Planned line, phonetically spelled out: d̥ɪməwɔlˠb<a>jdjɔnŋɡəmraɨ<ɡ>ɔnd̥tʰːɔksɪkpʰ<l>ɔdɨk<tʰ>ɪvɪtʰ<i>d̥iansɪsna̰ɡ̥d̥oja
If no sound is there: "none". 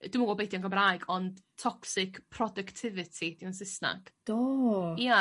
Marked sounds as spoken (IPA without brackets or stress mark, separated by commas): e, ɡ, r, tʰ, i